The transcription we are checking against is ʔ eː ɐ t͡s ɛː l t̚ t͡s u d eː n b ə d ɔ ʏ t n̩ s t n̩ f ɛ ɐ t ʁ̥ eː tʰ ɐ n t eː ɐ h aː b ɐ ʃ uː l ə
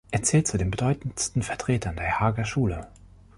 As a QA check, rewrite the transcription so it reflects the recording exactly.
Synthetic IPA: ʔ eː ɐ t͡s ɛː l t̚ t͡s u d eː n b ə d ɔ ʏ t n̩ s t n̩ f ɛ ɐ t ʁ̥ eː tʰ ɐ n d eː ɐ h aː ɡ ɐ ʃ uː l ə